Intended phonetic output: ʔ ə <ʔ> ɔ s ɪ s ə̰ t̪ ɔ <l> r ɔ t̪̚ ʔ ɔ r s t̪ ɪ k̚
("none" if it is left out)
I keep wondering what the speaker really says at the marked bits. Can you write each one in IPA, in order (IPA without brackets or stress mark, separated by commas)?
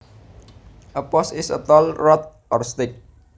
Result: p, l